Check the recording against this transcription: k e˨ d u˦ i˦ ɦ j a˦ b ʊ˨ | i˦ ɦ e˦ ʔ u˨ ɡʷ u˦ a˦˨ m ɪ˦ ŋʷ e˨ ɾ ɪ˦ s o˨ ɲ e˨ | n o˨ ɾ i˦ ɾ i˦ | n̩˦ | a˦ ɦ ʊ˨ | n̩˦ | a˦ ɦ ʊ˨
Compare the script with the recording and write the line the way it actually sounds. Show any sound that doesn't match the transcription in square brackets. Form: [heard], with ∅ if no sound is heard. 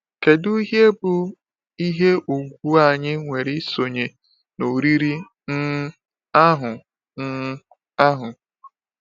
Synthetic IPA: k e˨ d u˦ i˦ ɦ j [e˦] b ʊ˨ | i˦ ɦ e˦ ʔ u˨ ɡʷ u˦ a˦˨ [ɲ] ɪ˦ ŋʷ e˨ ɾ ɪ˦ s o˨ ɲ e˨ | n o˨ ɾ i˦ ɾ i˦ | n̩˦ | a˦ ɦ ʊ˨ | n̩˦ | a˦ ɦ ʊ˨